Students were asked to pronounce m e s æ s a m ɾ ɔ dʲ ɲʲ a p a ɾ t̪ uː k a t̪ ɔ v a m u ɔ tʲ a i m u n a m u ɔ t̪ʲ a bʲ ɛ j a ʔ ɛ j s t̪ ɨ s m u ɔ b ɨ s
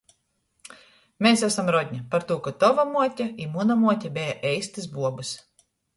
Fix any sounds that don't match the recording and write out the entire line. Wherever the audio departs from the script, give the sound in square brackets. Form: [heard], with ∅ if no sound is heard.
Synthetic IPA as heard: m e s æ s a m ɾ ɔ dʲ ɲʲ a p a ɾ t̪ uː k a t̪ ɔ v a m u ɔ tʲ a i m u n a m u ɔ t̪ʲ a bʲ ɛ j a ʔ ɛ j s t̪ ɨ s [b] u ɔ b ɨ s